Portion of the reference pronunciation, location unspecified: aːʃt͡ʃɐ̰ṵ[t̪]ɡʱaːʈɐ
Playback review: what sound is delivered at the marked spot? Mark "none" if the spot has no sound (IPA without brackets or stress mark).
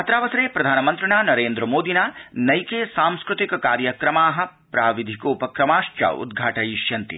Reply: d̪